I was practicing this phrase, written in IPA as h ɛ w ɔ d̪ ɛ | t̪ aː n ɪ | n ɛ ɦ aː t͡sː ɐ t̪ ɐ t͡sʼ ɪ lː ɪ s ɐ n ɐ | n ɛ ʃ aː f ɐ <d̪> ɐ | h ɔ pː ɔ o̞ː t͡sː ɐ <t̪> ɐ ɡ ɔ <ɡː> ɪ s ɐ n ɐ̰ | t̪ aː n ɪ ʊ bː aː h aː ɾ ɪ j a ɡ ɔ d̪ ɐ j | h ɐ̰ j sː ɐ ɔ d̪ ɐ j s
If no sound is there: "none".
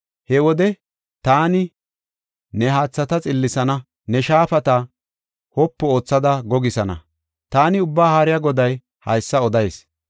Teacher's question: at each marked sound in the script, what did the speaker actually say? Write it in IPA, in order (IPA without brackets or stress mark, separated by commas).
t̪, d̪, ɡ